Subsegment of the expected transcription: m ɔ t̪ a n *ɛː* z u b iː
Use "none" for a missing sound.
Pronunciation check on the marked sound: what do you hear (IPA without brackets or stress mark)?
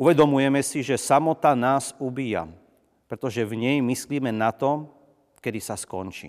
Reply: aː